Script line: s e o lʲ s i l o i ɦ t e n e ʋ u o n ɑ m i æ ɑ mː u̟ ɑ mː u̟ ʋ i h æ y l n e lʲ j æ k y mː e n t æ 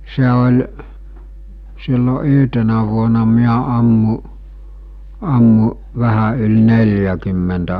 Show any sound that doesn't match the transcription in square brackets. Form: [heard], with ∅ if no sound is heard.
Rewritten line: s e o lʲ s i [lː] o [y] ɦ t e n [æ] ʋ u o n ɑ m i æ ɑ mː u̟ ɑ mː u̟ ʋ [æ] h æ y l n e lʲ j æ k y mː e n t æ